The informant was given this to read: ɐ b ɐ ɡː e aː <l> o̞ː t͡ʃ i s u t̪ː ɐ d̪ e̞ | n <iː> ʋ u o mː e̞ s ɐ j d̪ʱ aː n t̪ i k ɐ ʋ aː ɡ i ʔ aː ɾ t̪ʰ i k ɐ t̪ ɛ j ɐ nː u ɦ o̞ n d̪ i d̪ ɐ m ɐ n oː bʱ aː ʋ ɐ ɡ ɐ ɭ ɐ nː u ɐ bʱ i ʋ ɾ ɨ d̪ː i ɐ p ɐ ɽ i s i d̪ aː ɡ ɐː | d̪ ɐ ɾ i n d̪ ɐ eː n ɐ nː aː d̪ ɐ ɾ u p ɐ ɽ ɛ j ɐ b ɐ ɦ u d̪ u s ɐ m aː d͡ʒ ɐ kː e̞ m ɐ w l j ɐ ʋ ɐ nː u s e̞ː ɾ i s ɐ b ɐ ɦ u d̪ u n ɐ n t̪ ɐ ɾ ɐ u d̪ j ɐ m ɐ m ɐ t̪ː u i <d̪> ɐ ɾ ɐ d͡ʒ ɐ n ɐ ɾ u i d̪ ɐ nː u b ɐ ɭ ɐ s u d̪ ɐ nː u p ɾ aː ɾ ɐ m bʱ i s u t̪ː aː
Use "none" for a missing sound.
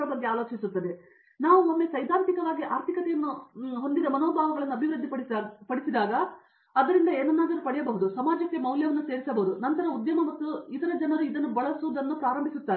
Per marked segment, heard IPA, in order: l, aː, t̪

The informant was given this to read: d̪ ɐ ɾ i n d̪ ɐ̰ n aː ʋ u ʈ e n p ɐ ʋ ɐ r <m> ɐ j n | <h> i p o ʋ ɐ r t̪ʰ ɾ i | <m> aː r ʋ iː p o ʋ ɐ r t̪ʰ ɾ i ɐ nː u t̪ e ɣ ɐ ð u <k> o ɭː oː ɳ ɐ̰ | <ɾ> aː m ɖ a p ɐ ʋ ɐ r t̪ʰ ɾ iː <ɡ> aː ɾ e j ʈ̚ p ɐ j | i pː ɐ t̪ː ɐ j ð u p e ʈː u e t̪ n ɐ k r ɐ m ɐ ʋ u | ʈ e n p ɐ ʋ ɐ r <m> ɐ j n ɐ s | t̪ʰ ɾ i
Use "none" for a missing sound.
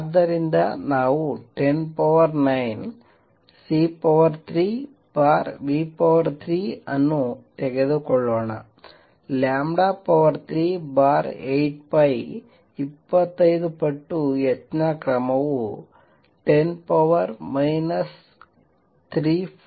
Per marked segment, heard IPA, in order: n, s, b, k, l, b, m

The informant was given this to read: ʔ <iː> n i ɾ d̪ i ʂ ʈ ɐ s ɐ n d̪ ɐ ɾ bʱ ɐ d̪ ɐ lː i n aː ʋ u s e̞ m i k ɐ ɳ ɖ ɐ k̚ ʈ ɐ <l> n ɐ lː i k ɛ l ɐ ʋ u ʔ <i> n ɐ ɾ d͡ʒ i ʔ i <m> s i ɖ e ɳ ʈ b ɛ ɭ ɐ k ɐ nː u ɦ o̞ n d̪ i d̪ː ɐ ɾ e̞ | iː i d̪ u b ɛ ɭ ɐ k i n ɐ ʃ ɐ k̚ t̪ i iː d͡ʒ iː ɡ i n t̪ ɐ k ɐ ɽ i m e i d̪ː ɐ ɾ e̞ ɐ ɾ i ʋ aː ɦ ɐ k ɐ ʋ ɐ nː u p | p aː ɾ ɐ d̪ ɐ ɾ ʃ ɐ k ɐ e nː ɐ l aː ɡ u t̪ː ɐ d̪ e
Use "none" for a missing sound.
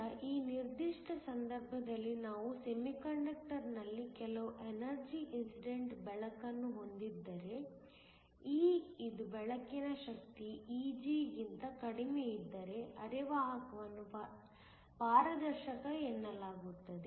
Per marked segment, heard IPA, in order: iː, ɾ, e, n

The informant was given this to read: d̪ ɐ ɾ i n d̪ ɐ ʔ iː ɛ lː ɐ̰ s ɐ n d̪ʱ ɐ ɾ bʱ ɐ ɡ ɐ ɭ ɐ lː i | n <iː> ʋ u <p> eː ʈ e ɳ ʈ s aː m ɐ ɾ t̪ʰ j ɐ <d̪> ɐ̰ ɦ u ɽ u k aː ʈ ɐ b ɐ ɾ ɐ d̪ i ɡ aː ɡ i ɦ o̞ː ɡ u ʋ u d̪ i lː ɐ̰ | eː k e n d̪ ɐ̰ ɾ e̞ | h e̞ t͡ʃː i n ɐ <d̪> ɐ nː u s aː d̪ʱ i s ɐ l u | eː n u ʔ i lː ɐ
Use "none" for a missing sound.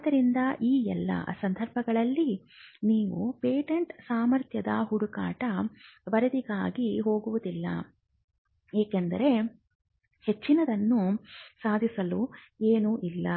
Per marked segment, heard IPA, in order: iː, p, d̪, d̪

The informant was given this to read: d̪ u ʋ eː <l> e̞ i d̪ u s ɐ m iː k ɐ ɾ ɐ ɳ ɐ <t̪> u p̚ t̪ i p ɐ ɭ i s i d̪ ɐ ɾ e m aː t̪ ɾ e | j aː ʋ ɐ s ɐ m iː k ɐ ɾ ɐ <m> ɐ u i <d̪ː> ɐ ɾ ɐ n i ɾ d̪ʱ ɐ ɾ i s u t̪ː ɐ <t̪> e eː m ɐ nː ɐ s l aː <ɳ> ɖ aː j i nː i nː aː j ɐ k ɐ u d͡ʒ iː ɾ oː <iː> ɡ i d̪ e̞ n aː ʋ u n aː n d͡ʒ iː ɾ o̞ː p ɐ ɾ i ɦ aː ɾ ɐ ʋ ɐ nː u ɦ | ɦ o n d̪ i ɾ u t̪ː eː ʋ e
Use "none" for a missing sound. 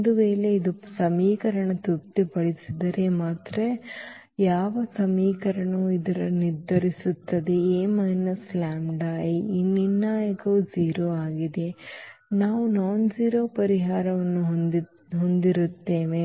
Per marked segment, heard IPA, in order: l, t̪, ɳ, d̪, d̪, m, aː

